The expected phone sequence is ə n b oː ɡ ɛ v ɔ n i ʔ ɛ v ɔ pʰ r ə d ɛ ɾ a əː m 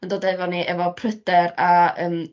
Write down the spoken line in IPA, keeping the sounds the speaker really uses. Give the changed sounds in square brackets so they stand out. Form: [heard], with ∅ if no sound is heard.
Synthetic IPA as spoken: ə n [d] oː [d] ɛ v ɔ n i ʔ ɛ v ɔ pʰ r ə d ɛ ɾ a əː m